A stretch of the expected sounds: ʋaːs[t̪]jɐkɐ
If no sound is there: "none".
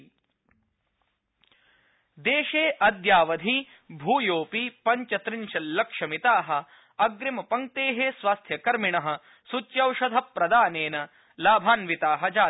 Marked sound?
t̪ʰ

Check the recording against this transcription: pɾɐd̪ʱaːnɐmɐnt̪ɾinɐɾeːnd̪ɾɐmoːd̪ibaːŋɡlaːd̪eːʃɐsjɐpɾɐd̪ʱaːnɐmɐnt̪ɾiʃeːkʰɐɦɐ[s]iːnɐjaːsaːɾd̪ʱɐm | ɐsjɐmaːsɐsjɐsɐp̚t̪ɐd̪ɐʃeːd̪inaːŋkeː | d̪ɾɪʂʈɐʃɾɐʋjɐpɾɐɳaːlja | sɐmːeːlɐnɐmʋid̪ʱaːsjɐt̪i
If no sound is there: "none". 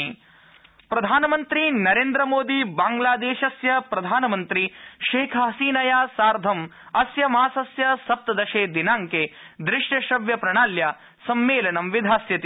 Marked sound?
s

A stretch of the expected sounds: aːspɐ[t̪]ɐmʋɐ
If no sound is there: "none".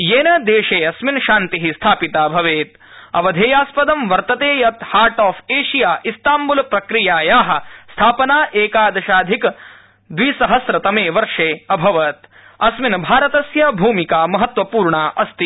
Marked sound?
d̪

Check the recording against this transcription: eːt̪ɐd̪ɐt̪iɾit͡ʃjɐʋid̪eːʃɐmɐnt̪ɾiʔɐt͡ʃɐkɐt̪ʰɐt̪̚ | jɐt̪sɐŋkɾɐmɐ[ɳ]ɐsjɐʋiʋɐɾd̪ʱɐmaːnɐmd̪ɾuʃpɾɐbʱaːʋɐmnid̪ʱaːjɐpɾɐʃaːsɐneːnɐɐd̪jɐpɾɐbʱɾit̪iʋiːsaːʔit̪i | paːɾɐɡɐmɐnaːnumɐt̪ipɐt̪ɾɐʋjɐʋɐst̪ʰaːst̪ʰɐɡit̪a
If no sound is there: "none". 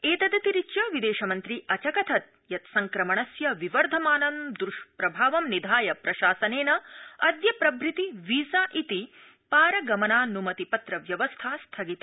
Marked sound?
ɳ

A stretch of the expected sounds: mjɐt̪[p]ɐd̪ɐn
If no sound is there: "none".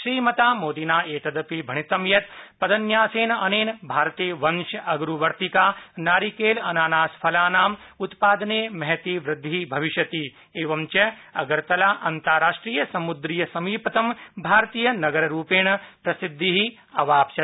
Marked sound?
p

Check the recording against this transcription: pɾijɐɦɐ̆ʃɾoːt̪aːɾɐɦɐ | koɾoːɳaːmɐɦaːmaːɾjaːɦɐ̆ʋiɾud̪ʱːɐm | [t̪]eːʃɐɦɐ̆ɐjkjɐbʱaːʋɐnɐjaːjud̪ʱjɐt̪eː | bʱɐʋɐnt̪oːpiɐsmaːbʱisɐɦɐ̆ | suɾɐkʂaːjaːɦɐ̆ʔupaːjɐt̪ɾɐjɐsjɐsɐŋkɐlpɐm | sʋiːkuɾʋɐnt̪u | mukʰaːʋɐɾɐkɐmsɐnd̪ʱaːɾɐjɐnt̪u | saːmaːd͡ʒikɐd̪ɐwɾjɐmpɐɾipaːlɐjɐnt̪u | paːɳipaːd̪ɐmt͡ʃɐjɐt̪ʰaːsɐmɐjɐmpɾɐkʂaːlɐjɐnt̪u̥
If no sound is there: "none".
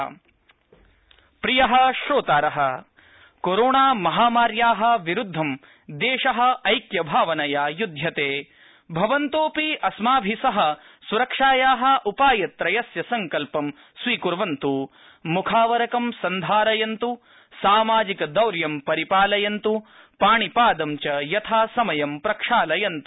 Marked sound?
d̪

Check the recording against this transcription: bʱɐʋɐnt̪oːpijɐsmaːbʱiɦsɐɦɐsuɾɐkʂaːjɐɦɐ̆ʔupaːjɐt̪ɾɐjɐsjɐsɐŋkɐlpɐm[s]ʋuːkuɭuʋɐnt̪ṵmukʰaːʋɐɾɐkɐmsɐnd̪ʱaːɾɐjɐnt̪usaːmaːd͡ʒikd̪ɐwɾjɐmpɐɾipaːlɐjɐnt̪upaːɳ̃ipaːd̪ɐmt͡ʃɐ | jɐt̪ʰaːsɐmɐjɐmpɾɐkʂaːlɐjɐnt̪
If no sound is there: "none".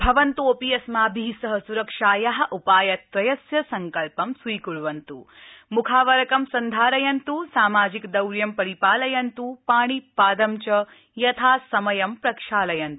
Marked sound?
s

